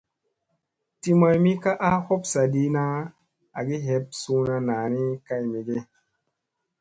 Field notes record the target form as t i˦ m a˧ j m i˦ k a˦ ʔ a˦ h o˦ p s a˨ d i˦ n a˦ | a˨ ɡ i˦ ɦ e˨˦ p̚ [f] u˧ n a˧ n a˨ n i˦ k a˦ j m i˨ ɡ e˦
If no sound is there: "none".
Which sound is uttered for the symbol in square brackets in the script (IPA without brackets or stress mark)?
s